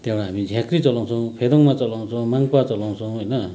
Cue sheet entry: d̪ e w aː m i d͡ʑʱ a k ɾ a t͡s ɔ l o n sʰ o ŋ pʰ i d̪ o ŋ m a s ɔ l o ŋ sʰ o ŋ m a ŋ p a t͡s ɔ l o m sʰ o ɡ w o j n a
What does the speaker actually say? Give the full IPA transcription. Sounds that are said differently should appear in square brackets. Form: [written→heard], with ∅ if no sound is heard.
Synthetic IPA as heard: [d̪→t̪] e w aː m i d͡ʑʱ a k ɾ [a→i] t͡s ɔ l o [n→ŋ] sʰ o ŋ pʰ [i→e] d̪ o ŋ m a [s→t͡s] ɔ l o ŋ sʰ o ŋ m a ŋ p a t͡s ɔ l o [m→ŋ] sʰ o [ɡ→ŋ] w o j n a